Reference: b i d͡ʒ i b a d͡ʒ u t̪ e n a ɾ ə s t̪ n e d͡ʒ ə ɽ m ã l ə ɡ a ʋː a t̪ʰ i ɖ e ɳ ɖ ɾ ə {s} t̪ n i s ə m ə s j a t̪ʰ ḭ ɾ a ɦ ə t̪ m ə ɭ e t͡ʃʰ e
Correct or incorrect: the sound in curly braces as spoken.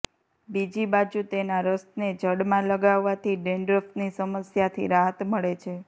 incorrect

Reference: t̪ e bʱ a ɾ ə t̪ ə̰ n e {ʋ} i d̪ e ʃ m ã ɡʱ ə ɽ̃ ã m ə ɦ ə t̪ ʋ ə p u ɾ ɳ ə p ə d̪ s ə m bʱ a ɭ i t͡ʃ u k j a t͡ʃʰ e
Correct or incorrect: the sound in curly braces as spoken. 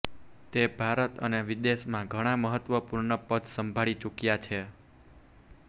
correct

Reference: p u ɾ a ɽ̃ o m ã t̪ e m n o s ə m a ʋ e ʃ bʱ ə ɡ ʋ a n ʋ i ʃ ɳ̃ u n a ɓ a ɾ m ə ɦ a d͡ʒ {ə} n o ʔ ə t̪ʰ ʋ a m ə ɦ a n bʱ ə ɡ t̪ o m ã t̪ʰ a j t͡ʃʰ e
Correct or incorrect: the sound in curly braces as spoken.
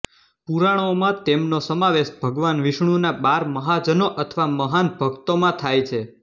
correct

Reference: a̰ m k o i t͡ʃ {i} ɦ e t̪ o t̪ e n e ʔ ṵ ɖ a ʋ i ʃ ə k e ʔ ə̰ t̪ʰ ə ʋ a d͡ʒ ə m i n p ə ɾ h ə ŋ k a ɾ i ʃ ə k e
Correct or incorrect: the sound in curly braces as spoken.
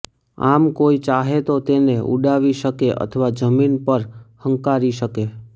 incorrect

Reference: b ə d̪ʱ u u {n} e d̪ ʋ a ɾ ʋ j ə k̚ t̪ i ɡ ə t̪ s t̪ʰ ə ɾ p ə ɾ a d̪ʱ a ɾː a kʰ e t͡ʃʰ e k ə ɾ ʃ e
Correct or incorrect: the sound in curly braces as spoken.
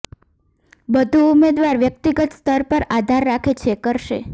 incorrect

